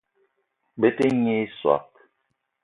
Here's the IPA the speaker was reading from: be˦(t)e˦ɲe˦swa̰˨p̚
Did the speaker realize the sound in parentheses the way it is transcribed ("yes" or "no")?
yes